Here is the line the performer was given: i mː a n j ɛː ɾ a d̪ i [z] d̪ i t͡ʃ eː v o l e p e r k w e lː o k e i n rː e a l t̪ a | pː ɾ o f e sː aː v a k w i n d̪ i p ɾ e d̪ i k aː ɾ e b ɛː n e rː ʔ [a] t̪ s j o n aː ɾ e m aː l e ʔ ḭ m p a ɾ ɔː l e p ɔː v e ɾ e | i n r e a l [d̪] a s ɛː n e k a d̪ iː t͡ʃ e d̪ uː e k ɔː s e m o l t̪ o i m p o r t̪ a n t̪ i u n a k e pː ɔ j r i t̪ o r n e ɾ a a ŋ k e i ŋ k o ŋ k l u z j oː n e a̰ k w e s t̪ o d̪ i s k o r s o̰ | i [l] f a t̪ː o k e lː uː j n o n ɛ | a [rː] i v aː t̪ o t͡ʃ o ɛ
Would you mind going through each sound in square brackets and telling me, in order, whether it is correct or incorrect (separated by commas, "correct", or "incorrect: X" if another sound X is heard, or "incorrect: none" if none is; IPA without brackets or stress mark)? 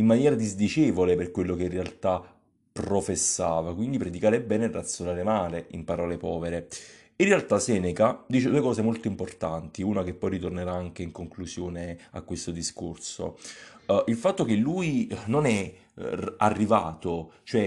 correct, correct, incorrect: t̪, correct, correct